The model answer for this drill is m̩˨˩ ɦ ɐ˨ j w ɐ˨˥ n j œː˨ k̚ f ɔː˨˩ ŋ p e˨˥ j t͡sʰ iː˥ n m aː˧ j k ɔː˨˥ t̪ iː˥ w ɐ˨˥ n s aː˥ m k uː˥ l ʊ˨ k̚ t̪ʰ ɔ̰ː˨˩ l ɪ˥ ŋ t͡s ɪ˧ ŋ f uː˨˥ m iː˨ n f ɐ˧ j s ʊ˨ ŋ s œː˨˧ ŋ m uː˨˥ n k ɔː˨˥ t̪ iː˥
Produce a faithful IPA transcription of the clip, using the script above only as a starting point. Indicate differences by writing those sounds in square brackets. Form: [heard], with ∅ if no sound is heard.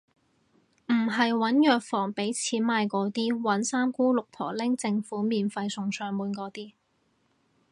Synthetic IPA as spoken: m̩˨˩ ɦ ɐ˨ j w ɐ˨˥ n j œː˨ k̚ f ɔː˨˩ ŋ p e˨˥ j t͡sʰ [iː˨˥] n m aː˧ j k ɔː˨˥ t̪ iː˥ w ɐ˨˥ n s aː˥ m k uː˥ l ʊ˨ k̚ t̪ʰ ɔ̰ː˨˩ l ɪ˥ ŋ t͡s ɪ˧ ŋ f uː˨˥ m iː˨ n f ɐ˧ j s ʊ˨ ŋ s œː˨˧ ŋ m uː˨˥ n k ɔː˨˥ t̪ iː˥